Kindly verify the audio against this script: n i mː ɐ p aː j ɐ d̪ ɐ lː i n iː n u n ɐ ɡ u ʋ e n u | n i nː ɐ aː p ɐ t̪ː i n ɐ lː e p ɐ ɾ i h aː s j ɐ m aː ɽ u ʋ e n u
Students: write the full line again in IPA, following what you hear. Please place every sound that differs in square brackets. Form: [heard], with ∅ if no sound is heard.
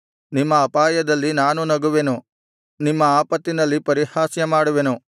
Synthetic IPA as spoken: n i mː [ɐː] p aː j ɐ d̪ ɐ lː i n [aː] n u n ɐ ɡ u ʋ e n u | n i [mː] ɐ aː p ɐ t̪ː i n ɐ lː [i] p ɐ ɾ i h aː s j ɐ m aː ɽ u ʋ e n u